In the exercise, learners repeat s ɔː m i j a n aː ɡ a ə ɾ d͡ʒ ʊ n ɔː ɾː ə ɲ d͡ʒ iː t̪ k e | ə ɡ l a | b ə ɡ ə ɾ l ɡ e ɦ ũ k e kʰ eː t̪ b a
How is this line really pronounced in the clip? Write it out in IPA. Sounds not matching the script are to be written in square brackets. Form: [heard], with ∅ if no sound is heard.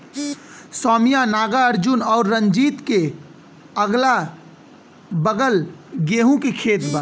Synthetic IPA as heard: s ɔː m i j a n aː ɡ a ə ɾ d͡ʒ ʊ n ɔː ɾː ə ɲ d͡ʒ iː t̪ k e | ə ɡ l a | b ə ɡ ə [∅] l ɡ e ɦ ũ k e kʰ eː t̪ b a